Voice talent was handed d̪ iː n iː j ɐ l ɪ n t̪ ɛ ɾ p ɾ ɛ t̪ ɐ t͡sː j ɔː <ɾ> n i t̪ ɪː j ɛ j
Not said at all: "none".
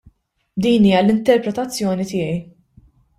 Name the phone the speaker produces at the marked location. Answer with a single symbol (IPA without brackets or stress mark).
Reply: none